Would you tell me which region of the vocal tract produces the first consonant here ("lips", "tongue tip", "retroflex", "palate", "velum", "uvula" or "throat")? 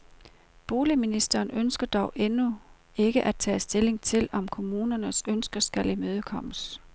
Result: lips